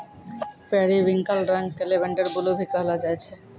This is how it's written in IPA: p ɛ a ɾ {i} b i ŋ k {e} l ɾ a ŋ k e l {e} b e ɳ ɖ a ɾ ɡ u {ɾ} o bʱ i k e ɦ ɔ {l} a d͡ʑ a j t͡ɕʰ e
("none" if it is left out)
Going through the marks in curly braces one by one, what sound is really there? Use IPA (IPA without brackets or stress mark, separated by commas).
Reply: i, a, e, l, l